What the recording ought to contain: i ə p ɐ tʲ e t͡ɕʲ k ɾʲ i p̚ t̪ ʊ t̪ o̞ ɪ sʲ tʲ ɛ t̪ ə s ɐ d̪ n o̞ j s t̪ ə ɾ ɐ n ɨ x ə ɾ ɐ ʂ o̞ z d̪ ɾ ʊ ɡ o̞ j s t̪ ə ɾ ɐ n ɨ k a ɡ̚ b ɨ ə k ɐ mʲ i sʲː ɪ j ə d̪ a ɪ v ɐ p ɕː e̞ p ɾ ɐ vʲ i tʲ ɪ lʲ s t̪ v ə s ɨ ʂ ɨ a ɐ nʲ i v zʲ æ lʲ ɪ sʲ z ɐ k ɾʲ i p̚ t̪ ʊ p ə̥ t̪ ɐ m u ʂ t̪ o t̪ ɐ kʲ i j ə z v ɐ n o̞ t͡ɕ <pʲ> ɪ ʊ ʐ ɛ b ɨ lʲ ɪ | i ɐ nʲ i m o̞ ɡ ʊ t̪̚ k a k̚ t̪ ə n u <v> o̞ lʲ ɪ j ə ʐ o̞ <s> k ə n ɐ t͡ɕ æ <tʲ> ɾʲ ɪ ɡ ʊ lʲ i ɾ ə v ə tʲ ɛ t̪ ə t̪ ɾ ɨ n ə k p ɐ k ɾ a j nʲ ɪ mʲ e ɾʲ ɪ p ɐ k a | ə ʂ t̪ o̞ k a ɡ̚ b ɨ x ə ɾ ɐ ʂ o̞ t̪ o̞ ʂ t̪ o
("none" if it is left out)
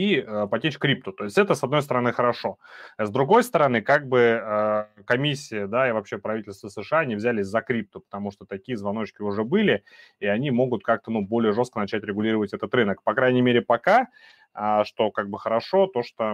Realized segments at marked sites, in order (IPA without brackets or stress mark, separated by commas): kʲ, b, s, tʲ